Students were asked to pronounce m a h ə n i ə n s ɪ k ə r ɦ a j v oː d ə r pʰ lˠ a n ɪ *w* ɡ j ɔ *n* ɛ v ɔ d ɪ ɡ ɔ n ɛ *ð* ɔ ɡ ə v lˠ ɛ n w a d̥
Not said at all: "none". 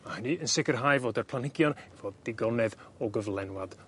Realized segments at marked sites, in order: none, n, ð

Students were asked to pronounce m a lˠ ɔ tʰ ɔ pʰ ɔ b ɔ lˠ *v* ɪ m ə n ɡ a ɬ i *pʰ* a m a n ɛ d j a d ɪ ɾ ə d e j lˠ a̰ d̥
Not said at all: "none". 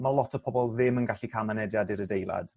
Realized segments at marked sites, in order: ð, kʰ

